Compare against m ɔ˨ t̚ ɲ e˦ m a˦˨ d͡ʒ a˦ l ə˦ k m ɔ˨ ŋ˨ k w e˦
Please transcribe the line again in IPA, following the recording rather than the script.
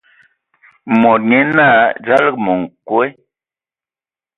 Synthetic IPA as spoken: m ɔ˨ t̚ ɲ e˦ n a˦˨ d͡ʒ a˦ l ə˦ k m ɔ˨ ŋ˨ k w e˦